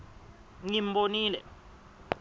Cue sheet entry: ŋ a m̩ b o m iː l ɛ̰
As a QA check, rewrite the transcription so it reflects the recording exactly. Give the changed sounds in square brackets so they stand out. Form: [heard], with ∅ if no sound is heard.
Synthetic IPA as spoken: ŋ [i] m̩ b o [n] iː l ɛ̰